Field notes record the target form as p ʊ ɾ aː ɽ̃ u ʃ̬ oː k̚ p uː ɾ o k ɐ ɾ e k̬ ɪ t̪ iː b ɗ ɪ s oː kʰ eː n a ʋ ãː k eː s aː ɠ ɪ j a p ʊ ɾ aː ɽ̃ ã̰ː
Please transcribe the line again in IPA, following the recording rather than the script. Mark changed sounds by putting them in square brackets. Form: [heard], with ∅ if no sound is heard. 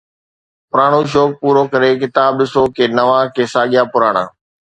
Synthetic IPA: p ʊ ɾ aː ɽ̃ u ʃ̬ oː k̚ p uː ɾ o k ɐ ɾ e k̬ ɪ t̪ [aː] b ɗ ɪ s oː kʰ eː n [ɐ] ʋ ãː k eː s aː ɠ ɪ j a p ʊ ɾ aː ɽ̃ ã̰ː